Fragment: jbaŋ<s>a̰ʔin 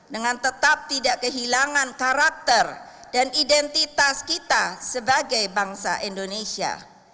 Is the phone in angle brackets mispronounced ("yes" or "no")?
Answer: no